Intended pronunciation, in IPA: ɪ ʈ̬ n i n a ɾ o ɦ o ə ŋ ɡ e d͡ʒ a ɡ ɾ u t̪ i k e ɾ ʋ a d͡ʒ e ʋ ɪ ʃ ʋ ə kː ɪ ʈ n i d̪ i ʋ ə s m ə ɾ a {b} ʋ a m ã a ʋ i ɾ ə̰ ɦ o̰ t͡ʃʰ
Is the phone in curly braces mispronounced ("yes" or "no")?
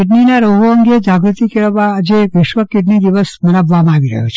no